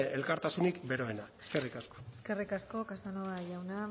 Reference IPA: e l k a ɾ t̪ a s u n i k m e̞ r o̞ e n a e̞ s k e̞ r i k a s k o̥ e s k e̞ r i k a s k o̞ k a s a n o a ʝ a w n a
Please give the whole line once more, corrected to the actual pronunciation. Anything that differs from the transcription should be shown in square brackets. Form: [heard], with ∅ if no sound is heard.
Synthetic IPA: e l k a ɾ t̪ a s u n i k [b] e̞ [ɾ] o̞ e n a e̞ s k e̞ r i k a s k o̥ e s k e̞ r i k a s k o̞ k a s a n o a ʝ a w n a